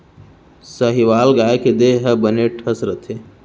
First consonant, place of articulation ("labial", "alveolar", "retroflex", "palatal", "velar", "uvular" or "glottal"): alveolar